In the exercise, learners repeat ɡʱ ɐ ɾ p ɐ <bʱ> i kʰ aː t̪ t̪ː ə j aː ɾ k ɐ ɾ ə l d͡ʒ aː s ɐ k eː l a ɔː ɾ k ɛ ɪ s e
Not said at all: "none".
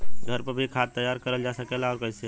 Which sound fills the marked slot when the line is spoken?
bʱ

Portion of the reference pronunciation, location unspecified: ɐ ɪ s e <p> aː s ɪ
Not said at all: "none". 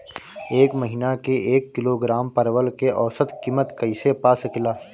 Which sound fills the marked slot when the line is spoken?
p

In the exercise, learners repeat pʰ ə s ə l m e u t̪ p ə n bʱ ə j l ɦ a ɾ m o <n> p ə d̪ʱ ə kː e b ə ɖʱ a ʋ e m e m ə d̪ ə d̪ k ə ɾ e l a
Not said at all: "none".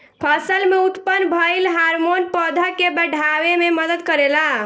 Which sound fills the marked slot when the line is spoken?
n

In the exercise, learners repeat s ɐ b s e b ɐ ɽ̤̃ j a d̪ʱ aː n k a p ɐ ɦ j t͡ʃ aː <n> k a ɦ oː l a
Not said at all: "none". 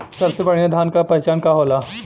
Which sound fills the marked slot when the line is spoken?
n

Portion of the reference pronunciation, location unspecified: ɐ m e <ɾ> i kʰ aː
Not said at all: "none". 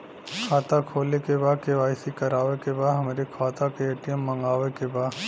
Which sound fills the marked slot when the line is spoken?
ɾ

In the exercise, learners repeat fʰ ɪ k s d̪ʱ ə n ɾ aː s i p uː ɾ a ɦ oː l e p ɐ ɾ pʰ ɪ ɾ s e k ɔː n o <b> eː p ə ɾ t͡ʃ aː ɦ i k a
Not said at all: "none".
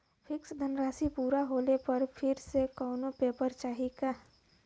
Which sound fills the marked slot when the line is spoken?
p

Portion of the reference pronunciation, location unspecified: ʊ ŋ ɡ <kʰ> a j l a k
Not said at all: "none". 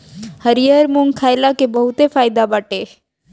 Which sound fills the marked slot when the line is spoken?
kʰ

